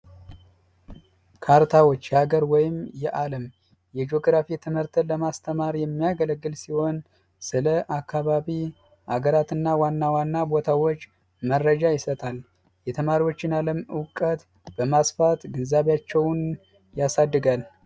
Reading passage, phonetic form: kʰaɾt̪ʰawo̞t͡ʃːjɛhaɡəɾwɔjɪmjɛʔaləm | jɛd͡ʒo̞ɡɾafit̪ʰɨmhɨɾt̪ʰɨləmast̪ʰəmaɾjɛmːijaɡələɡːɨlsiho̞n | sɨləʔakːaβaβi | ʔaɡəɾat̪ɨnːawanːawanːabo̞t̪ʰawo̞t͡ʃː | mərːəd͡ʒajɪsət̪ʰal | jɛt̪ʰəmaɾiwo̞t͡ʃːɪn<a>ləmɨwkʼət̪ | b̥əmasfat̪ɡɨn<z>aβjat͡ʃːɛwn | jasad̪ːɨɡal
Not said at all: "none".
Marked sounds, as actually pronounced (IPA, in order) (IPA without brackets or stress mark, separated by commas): a, z